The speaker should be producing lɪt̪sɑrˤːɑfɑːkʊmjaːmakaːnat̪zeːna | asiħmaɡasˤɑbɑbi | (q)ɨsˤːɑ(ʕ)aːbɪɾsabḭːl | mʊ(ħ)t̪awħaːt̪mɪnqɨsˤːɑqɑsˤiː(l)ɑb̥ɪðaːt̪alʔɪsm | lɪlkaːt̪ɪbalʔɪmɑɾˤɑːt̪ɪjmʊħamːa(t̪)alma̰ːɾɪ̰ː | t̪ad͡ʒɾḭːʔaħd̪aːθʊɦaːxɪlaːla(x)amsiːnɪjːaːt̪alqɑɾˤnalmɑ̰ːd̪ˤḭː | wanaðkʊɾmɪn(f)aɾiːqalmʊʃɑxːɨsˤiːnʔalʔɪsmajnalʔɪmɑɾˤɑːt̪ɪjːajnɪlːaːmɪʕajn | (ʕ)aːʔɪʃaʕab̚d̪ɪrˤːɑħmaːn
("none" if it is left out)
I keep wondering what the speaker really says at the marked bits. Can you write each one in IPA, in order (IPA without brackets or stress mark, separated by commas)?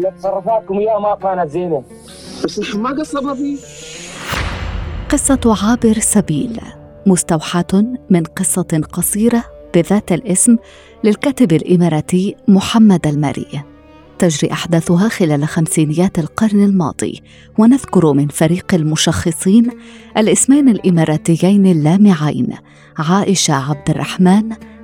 q, ʕ, s, ɾ, d̪, x, f, ʕ